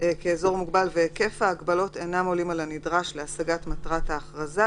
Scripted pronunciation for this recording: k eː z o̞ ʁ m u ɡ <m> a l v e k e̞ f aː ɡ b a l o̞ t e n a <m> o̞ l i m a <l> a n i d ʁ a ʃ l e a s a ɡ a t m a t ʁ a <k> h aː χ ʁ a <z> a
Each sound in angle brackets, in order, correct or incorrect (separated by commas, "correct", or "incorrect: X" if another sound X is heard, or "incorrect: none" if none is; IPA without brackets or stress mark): incorrect: b, correct, correct, incorrect: t, correct